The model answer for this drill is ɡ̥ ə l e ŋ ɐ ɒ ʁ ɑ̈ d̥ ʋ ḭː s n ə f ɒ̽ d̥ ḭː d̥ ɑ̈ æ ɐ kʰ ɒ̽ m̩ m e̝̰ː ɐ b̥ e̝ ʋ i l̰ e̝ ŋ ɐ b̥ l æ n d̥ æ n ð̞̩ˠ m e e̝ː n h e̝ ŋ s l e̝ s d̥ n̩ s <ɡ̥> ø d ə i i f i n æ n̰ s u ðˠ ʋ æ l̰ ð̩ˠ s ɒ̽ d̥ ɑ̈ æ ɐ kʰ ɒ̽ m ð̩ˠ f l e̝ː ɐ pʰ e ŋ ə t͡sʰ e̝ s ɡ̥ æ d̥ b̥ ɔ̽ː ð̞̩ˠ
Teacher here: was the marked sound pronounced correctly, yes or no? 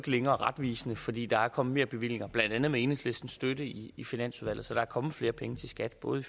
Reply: no